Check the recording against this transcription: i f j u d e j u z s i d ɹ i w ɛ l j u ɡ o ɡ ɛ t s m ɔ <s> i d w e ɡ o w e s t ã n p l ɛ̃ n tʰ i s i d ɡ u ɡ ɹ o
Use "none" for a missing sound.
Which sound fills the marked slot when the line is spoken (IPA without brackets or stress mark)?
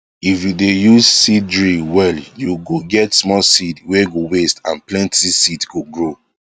s